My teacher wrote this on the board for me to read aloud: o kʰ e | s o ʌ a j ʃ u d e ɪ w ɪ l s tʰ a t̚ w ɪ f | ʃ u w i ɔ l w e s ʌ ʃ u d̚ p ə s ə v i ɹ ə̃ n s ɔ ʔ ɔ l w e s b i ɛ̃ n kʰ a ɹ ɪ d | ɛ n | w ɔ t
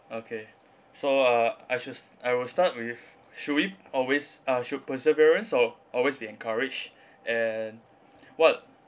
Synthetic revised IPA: o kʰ e | s o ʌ a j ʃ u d a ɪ w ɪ l s t a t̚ w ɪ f | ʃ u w i ɔ l w e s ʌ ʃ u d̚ p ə s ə v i ɹ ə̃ n s ɔ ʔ ɔ l w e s b i ɛ̃ n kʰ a ɹ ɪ d͡ʒ | ɛ n | w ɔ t